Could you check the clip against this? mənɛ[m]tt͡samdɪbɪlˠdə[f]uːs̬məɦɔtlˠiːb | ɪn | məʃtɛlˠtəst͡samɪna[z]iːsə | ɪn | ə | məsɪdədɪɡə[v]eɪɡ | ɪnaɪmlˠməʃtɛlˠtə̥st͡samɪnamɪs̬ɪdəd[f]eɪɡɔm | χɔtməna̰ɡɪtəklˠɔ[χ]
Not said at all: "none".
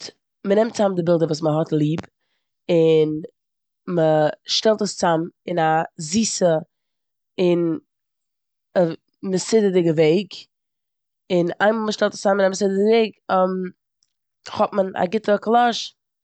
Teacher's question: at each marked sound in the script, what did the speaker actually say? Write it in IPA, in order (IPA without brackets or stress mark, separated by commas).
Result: m, v, z, v, v, ʃ